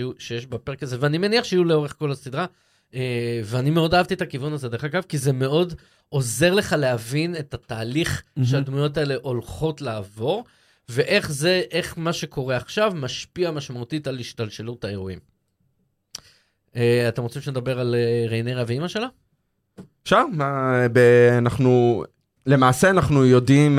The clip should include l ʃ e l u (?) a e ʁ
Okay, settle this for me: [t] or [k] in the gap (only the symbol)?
t